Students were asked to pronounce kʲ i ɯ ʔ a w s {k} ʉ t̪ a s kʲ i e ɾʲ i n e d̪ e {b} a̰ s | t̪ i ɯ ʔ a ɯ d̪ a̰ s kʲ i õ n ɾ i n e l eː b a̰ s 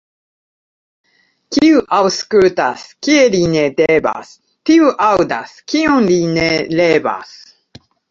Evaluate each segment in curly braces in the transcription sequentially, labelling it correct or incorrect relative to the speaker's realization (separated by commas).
correct, correct